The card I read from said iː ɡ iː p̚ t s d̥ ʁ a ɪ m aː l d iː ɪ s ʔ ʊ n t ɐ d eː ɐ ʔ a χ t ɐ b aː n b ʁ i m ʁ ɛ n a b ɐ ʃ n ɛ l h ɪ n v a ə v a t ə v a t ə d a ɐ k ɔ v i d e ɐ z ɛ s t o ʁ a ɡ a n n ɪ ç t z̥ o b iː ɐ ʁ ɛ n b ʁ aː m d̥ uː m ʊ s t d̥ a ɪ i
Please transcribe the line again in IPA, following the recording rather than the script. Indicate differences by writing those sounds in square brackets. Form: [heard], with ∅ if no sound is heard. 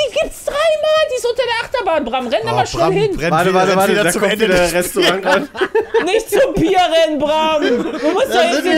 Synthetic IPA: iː ɡ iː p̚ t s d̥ ʁ a ɪ m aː l d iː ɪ s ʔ ʊ n t ɐ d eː ɐ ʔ a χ t ɐ b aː n b ʁ [a] m ʁ ɛ n a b ɐ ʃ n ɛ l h ɪ n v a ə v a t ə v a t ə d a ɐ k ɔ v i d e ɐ [ʁ] ɛ s t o ʁ a [ŋ] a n n ɪ ç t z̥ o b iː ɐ ʁ ɛ n b ʁ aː m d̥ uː m ʊ s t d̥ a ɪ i